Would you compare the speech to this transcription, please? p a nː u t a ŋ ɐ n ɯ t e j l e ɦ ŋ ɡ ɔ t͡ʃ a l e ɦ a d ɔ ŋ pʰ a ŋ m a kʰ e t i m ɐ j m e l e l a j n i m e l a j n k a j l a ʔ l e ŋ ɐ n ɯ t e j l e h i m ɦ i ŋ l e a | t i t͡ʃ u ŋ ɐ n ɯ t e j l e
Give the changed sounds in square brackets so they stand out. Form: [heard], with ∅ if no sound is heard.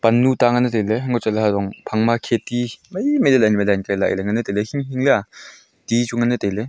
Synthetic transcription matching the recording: p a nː u t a ŋ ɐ n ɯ t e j l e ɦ ŋ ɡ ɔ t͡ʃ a l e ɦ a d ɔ ŋ pʰ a ŋ m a kʰ e t i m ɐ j m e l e l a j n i m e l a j n k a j l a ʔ l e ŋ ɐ n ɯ t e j l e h i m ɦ i ŋ l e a | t i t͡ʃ u ŋ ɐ n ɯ t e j l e